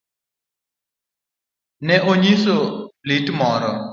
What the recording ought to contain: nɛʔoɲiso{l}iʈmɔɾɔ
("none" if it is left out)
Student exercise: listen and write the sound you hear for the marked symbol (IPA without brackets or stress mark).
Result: l